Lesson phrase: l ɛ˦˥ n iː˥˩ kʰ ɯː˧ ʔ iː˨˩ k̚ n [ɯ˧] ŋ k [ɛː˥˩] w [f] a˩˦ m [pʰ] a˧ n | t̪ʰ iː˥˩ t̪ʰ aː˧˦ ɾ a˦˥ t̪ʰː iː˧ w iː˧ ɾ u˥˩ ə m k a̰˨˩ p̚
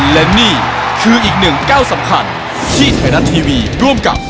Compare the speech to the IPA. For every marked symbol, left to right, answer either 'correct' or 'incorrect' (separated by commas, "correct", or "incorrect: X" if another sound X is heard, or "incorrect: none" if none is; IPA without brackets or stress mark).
incorrect: ɯ˨˩, incorrect: aː˥˩, incorrect: s, incorrect: kʰ